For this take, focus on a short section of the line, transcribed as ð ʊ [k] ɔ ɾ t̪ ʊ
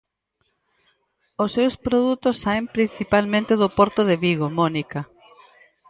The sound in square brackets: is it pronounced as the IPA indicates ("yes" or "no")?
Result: no